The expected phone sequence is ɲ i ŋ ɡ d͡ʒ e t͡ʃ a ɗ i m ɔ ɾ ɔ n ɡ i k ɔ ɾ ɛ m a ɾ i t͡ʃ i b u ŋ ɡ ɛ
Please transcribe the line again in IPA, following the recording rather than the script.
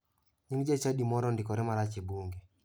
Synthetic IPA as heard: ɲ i ŋ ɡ d͡ʒ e t͡ʃ a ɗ i m ɔ ɾ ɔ n d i k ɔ ɾ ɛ m a ɾ a t͡ʃ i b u ŋ ɡ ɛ

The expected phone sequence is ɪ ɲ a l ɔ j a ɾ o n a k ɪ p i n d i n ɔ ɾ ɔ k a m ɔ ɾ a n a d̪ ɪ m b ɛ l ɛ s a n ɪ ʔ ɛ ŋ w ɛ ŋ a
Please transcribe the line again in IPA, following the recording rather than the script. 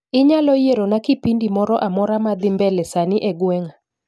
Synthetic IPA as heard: ɪ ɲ a l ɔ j e ɾ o n a k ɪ p i n d i m ɔ ɾ ɔ ʔ a m ɔ ɾ a m a d̪ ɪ m b ɛ l ɛ s a n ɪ ʔ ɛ ɡ w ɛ ŋ a

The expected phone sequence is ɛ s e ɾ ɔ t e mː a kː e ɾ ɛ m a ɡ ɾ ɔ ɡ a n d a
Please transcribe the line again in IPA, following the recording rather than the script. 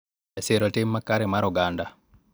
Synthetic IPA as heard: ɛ s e ɾ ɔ t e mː a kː a ɾ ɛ m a ɾ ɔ ɡ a n d a

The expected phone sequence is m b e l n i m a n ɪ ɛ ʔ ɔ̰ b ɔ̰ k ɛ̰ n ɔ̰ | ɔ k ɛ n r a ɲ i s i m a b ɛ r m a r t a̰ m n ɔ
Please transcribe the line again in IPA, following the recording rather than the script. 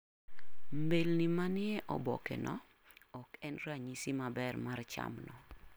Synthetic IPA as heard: m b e l n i m a n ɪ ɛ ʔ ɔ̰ b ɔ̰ k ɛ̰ n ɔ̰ | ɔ k ɛ n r a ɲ i s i m a b ɛ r m a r t͡ʃ a̰ m n ɔ

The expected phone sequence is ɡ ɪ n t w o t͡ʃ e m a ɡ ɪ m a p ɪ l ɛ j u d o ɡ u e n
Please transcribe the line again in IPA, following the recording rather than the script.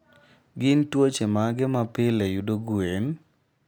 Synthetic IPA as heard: ɡ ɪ n t w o t͡ʃ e m a ɡ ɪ m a p ɪ l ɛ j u d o ɡ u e n

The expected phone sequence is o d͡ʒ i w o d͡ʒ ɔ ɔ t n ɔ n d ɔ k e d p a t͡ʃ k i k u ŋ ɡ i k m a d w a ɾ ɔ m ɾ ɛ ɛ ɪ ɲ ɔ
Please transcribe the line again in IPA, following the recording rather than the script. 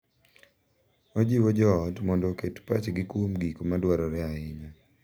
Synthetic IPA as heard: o d͡ʒ i w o d͡ʒ ɔ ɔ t m ɔ n d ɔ k e t p a t͡ʃ ɡ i k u m ɡ i k m a d w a ɾ ɔ ɾ ɛ a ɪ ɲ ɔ

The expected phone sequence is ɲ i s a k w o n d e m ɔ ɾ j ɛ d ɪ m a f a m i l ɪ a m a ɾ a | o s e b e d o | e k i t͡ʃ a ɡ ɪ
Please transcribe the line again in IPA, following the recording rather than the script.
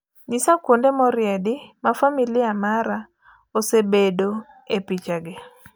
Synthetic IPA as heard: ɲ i s a k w o n d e m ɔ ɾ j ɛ d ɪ m a f a m i l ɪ a m a ɾ a | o s e b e d o | e p i t͡ʃ a ɡ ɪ

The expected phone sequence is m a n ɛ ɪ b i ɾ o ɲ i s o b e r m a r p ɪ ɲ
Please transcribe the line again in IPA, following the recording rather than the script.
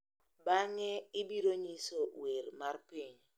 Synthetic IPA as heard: b a ŋ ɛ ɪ b i ɾ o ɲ i s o w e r m a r p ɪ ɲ

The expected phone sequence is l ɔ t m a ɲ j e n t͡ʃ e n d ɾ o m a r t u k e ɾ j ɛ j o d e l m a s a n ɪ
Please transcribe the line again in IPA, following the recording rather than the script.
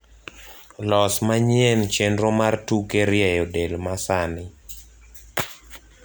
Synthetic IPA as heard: l ɔ s m a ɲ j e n t͡ʃ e n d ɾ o m a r t u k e ɾ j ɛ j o d e l m a s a n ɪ

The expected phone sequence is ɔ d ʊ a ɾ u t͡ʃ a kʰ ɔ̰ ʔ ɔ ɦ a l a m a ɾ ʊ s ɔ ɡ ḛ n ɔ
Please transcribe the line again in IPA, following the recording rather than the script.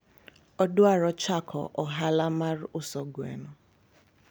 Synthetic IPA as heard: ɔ d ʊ a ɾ ɔ t͡ʃ a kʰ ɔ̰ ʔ ɔ ɦ a l a m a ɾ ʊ s ɔ ɡ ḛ n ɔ

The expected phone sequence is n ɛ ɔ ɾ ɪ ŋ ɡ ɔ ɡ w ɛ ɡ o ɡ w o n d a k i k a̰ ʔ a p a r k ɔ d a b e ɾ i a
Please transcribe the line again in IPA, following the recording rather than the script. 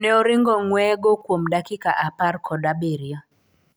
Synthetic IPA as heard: n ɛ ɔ ɾ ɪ ŋ ɡ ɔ ŋ w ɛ ɡ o k w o m d a k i k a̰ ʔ a p a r k ɔ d a b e ɾ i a

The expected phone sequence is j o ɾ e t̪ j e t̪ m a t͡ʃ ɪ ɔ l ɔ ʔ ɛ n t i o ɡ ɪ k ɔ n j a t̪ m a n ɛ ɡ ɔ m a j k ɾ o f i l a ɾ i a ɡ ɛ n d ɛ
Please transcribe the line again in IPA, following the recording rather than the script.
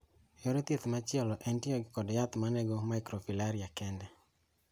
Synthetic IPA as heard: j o ɾ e t̪ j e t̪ m a t͡ʃ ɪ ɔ l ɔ ʔ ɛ n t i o ɡ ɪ k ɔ d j a t̪ m a n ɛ ɡ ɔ m a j k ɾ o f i l a ɾ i a k ɛ n d ɛ

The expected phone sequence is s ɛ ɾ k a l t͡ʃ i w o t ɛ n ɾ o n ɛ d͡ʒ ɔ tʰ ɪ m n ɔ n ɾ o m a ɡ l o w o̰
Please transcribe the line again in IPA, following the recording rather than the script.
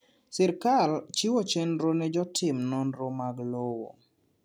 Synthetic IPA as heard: s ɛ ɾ k a l t͡ʃ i w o t͡ʃ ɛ n ɾ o n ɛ d͡ʒ ɔ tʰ ɪ m n ɔ n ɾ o m a ɡ l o w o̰

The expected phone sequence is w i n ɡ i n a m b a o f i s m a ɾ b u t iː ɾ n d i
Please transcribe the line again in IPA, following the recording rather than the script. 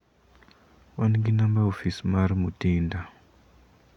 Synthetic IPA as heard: w a n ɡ i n a m b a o f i s m a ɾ m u t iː n d a

